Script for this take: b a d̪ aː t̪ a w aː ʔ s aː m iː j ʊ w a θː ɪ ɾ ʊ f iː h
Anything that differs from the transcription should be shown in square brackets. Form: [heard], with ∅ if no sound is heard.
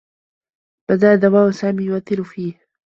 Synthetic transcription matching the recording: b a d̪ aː [d̪] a w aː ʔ s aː m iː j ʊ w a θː ɪ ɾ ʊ f iː h